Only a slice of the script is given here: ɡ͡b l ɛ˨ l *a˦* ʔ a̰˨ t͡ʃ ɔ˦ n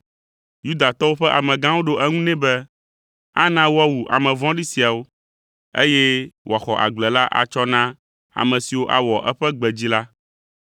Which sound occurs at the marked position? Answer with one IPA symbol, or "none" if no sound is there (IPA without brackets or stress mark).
a˦